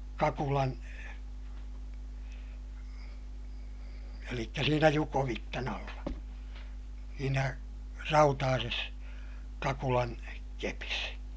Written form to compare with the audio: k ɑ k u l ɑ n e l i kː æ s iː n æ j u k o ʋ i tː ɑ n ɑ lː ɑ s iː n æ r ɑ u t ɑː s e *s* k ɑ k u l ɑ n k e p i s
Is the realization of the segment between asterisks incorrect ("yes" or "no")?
no